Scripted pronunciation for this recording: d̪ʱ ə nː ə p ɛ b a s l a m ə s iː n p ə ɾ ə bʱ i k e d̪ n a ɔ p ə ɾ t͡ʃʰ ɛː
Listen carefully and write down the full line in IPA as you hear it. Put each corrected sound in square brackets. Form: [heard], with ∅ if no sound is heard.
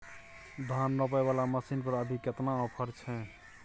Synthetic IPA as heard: d̪ʱ [a] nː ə p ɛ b a [∅] l a m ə s [i] n p ə ɾ ə bʱ i k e [t̪] n a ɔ [pʰ] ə ɾ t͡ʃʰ [ɛ]

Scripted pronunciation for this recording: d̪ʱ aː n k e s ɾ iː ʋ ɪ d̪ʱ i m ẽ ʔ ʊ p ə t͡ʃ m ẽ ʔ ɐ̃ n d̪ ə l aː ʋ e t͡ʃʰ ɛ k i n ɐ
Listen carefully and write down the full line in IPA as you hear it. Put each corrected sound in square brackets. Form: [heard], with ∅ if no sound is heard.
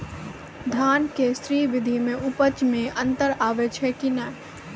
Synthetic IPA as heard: d̪ʱ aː n k e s ɾ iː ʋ ɪ d̪ʱ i m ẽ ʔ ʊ p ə t͡ʃ m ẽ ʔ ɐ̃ n [t̪] ə [ɾ] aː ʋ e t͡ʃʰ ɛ k i n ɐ

